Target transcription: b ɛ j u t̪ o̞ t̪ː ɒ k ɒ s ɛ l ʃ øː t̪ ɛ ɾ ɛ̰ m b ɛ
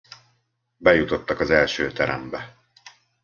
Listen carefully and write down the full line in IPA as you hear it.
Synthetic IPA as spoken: b ɛ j u t̪ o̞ t̪ː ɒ k ɒ z ɛ l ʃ øː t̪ ɛ ɾ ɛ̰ m b ɛ